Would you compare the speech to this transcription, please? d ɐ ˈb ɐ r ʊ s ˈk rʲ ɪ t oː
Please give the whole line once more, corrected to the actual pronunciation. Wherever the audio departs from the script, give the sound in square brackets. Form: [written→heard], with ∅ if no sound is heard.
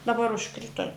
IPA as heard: d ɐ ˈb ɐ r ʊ [s→ʃ] ˈk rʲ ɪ t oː